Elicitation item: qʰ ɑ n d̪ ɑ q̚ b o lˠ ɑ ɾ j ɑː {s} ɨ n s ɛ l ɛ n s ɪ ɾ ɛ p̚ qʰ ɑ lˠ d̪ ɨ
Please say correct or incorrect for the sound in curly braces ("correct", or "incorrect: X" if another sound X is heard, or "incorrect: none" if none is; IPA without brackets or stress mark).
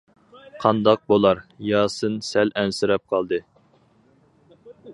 correct